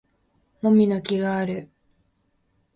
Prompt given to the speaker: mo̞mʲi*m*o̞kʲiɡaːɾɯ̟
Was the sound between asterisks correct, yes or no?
no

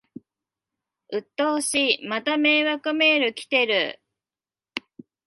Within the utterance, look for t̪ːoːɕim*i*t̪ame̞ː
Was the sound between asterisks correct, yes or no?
no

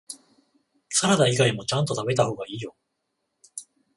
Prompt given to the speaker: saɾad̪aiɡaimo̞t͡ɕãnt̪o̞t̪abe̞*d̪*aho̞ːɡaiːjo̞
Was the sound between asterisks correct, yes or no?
no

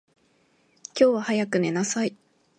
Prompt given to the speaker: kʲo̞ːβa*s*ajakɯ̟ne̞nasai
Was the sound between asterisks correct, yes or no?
no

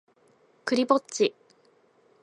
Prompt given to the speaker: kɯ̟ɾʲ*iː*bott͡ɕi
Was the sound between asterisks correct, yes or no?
no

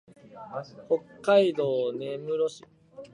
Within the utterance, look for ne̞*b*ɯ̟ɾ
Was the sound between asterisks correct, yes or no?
no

